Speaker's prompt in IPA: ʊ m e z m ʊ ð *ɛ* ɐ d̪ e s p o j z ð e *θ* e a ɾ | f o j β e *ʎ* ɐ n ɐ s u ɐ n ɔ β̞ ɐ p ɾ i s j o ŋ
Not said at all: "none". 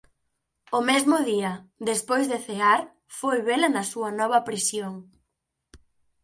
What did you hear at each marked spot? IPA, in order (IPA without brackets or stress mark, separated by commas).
i, θ, l